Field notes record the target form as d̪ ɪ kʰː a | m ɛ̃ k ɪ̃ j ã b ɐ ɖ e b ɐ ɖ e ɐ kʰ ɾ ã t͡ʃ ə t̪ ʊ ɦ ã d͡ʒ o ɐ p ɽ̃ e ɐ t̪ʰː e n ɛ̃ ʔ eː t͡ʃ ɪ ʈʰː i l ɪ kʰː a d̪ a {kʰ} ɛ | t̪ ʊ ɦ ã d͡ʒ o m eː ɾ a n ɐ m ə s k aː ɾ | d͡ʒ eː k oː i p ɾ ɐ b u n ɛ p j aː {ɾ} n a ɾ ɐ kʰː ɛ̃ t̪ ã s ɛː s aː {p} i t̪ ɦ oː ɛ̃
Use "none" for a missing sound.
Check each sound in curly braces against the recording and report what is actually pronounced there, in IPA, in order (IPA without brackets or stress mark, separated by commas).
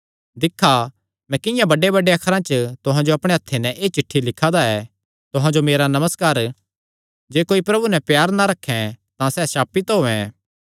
none, ɾ, p